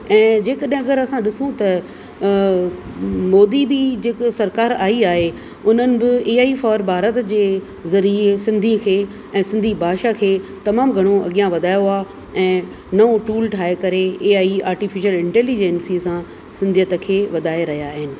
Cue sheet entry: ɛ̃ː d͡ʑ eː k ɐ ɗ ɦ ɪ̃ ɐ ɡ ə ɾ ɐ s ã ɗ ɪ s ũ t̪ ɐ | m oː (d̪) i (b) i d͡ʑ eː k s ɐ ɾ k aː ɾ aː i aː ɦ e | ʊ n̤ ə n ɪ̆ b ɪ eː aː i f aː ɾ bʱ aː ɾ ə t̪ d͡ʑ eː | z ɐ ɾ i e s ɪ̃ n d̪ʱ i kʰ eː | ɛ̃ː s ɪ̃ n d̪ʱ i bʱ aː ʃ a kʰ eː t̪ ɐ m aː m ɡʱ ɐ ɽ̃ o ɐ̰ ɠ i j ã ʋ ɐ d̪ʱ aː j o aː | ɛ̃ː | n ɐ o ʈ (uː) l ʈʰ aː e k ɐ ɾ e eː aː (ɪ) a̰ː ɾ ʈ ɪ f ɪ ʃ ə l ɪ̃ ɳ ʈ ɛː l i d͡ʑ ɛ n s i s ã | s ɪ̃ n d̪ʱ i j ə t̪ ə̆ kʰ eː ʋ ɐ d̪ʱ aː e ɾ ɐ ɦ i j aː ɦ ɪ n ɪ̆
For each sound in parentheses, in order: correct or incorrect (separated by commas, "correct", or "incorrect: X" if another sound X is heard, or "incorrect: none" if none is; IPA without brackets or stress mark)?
correct, correct, correct, incorrect: i